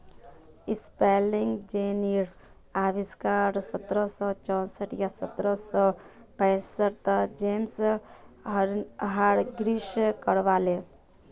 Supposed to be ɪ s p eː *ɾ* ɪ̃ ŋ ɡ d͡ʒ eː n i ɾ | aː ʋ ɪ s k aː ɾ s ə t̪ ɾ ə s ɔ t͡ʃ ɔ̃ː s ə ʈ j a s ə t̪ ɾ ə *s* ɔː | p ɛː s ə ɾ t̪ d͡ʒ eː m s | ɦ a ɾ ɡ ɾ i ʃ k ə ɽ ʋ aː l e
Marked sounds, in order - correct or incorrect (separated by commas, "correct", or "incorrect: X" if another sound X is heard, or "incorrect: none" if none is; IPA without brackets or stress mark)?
incorrect: l, correct